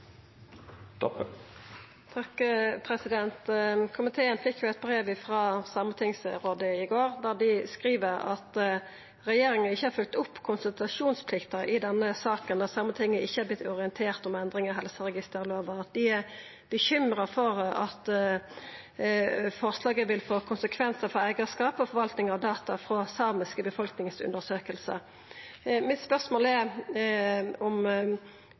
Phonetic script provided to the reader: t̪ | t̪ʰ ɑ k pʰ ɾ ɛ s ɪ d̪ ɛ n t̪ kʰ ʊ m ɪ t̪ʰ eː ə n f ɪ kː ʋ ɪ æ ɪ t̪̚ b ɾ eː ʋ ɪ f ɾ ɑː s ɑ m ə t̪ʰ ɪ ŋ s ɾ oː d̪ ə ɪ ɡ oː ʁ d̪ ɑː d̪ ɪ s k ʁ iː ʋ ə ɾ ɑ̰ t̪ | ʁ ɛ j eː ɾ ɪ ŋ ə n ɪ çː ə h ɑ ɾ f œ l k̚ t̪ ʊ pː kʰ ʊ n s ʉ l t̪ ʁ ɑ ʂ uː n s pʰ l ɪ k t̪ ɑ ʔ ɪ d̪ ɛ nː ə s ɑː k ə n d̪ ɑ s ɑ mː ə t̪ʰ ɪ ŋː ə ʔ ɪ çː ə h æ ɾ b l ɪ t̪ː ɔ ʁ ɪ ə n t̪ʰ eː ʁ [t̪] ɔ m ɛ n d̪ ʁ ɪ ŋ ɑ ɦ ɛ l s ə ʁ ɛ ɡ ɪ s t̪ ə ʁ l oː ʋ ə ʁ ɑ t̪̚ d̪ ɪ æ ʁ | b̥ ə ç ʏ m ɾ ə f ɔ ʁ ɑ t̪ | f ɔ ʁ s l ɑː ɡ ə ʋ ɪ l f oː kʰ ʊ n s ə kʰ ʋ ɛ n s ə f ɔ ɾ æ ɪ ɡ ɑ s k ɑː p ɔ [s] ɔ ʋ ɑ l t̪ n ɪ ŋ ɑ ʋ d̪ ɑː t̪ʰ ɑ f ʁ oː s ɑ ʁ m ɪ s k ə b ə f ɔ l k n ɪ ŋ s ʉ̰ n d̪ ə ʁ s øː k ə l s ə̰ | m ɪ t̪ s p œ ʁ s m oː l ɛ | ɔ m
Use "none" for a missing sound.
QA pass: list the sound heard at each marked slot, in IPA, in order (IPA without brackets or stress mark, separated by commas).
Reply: t̪, f